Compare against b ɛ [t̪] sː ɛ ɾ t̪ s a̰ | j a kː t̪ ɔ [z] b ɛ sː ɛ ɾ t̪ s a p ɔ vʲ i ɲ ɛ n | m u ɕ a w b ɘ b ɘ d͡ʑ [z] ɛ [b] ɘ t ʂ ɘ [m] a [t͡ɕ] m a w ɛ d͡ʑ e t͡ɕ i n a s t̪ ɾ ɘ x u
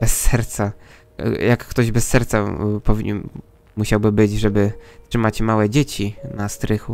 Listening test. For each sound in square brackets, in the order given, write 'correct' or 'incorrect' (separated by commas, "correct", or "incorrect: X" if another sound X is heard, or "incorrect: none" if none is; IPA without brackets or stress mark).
incorrect: none, incorrect: ʑ, incorrect: ʐ, correct, correct, correct